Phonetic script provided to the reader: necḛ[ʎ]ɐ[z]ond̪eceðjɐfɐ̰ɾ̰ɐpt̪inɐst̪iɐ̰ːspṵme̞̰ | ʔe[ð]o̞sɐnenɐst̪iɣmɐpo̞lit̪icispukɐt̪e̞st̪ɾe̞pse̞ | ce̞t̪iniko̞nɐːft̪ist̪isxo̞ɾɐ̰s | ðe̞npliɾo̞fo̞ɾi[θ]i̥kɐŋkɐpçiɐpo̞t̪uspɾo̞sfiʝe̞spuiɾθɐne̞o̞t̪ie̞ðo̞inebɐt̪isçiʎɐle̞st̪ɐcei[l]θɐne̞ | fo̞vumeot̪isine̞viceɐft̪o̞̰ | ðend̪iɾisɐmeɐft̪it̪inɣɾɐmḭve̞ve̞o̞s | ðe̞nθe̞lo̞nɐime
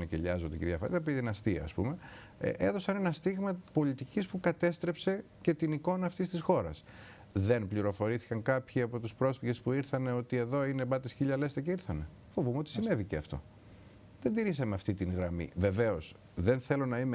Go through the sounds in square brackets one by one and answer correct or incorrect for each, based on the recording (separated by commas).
correct, correct, correct, correct, incorrect